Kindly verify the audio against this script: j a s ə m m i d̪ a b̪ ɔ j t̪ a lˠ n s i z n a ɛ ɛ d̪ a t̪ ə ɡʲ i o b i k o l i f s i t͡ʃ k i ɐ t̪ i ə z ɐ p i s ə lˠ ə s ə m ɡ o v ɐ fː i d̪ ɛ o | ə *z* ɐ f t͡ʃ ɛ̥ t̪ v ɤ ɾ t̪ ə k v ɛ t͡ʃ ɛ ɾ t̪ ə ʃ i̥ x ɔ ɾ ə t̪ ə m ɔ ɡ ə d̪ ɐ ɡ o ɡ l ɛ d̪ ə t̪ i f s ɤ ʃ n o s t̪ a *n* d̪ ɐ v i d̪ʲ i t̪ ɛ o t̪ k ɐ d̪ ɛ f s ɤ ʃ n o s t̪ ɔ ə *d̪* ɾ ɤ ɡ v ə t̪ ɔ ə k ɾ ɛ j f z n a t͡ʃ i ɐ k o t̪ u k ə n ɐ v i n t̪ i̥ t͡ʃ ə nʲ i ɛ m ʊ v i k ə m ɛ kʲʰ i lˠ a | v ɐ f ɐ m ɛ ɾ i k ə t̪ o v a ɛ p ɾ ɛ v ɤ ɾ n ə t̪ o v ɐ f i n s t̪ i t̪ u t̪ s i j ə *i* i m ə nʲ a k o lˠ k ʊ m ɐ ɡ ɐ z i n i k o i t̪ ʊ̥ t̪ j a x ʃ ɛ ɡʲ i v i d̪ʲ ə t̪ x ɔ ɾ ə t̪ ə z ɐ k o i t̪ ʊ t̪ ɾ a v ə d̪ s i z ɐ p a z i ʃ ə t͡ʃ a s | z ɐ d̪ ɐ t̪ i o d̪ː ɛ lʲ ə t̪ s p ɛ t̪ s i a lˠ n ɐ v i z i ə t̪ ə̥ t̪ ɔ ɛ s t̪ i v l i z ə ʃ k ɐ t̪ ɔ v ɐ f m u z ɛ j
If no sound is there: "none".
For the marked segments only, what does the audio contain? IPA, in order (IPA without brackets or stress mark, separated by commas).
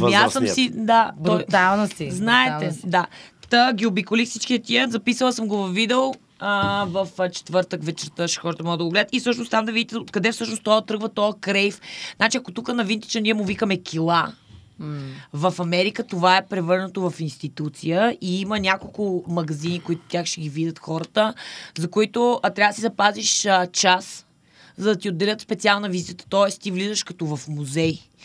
v, m, t̪, i